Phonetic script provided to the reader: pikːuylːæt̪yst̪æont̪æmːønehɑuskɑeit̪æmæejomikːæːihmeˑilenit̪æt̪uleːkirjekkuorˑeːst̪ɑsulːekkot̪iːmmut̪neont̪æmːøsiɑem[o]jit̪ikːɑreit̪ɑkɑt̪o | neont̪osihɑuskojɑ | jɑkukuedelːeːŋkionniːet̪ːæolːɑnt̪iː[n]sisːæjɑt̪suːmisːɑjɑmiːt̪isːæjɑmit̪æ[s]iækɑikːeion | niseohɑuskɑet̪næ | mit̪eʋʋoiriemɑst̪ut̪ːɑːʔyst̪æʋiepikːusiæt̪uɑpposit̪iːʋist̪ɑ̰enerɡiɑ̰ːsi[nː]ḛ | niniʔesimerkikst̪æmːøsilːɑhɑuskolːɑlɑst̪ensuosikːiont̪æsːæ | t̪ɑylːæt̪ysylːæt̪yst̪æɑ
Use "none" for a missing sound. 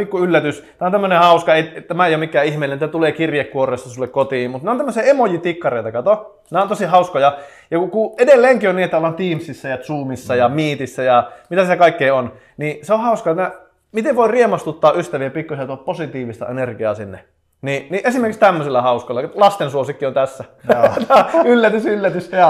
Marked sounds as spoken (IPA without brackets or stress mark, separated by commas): o, m, s, nː